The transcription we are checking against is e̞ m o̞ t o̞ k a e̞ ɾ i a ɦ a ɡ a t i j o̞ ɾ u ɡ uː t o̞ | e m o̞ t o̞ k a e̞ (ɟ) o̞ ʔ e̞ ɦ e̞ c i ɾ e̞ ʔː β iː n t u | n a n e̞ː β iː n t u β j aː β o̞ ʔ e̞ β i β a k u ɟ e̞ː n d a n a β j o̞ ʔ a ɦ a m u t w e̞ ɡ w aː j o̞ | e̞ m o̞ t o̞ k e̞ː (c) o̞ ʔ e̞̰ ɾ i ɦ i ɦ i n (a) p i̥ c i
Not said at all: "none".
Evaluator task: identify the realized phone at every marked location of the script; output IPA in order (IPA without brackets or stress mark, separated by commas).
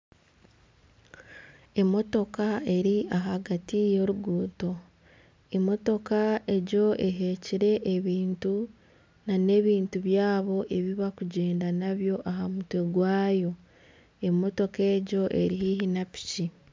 ɟ, ɟ, a